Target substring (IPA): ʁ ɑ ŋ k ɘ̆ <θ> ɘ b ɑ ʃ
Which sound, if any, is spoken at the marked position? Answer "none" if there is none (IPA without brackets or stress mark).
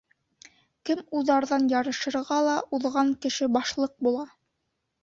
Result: ʃ